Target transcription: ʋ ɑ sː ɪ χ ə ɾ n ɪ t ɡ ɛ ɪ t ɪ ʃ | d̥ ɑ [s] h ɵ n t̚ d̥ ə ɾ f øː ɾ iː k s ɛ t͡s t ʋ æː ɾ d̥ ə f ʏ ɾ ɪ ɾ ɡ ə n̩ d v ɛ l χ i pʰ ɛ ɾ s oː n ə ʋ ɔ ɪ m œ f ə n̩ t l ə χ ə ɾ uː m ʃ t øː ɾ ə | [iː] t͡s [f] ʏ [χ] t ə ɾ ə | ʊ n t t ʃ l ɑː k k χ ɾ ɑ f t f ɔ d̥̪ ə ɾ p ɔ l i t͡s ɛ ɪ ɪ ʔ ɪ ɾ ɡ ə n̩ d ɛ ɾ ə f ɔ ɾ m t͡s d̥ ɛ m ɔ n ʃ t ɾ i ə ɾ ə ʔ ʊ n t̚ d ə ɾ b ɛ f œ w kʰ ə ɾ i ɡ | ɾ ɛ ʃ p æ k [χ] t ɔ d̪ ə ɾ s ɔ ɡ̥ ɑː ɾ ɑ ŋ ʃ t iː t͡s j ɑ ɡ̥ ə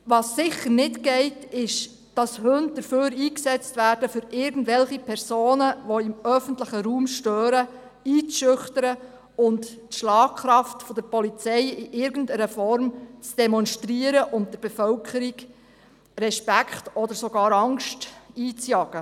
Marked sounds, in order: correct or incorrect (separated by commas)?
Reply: correct, correct, incorrect, correct, correct